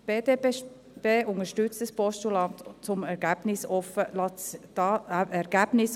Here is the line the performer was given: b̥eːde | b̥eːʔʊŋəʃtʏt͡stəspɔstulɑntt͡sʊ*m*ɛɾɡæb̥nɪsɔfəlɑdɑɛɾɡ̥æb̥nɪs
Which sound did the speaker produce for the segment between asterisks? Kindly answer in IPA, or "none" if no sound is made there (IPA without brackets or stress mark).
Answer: m